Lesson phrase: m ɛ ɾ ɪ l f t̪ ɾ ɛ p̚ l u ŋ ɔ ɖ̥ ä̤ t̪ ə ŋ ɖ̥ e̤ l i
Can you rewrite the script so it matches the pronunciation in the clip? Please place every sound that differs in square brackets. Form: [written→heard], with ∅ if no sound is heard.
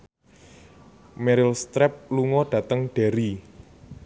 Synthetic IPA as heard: m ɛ ɾ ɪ l [f→s] t̪ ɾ ɛ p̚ l u ŋ ɔ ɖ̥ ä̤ t̪ ə ŋ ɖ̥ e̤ [l→ɾ] i